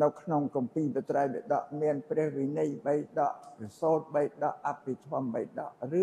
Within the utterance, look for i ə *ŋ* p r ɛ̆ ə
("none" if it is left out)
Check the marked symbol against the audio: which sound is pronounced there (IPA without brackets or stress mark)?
n